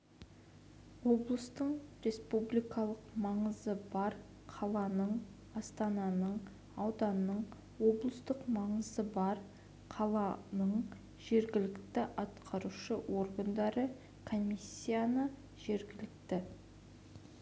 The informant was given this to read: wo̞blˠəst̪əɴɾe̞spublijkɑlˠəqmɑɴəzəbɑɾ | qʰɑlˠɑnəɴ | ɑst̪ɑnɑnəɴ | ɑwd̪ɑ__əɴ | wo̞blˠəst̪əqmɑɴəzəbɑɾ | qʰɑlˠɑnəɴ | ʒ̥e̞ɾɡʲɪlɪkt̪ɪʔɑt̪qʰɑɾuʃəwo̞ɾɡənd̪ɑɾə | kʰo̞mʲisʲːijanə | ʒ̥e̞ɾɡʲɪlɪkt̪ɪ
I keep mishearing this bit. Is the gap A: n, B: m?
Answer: A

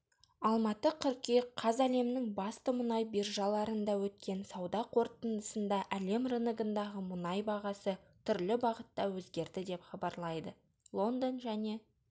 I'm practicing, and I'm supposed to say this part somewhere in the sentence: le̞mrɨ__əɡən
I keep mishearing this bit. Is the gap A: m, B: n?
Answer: B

